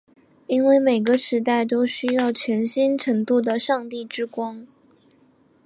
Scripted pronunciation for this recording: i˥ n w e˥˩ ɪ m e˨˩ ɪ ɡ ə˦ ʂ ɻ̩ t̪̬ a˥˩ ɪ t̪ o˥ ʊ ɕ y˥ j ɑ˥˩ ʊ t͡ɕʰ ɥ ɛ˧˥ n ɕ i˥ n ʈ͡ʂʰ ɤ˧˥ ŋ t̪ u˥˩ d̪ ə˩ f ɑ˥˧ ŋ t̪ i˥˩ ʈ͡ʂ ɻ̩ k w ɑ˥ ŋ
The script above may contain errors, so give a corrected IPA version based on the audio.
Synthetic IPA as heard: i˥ n w e˥˩ ɪ m e˨˩ ɪ ɡ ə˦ ʂ ɻ̩ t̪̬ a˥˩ ɪ t̪ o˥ ʊ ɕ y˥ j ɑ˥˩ ʊ t͡ɕʰ ɥ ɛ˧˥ n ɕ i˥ n ʈ͡ʂʰ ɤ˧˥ ŋ t̪ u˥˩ d̪ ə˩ ʂ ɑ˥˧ ŋ t̪ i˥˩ ʈ͡ʂ ɻ̩ k w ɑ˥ ŋ